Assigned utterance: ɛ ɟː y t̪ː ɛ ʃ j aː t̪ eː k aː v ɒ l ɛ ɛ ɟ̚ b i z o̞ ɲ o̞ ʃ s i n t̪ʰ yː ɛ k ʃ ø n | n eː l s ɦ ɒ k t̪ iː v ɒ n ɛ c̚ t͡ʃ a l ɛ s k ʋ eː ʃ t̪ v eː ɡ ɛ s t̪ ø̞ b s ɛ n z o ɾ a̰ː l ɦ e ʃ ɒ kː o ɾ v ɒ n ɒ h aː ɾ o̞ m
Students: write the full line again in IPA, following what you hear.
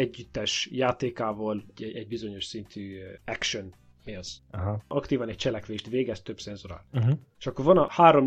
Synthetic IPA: ɛ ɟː y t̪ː ɛ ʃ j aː t̪ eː k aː v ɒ l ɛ ɛ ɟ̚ b i z o̞ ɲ o̞ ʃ s i n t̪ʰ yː ɛ k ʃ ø n | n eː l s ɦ ɒ k t̪ iː v ɒ n ɛ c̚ t͡ʃ ɛ l ɛ k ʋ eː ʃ t̪ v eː ɡ ɛ s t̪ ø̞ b s ɛ n z o ɾ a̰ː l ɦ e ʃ ɒ kː o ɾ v ɒ n ɒ h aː ɾ o̞ m